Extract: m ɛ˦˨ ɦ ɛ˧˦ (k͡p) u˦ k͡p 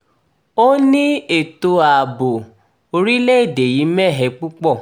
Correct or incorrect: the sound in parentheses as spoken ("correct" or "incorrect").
correct